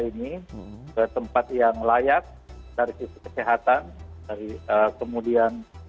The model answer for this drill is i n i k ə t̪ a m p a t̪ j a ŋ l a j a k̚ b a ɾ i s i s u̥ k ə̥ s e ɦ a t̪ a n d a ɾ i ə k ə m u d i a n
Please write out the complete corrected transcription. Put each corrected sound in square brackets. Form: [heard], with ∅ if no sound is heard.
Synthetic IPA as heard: i n i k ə t̪ [ə] m p a t̪ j a ŋ l a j a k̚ [d] a ɾ i s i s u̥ k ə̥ s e ɦ a t̪ a n d a ɾ i ə k ə m u d i a n